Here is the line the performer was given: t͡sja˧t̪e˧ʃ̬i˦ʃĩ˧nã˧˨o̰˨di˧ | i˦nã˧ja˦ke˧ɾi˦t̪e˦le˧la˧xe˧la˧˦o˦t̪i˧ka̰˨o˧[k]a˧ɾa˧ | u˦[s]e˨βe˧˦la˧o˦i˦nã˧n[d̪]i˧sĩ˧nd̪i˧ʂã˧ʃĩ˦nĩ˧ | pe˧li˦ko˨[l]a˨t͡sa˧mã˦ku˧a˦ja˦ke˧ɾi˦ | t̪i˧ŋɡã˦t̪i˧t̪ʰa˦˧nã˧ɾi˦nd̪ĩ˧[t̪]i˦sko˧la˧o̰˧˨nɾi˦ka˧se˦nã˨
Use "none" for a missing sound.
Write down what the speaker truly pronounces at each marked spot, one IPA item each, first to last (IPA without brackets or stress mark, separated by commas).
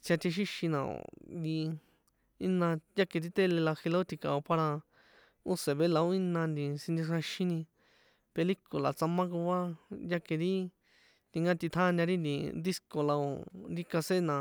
p, s, d̪, l, d̪